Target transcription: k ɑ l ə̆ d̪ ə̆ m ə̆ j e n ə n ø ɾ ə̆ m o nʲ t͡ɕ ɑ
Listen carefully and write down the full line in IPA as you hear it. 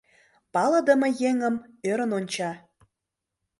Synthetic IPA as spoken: p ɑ l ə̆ d̪ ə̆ m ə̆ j e ŋ ə m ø ɾ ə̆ n o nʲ t͡ɕ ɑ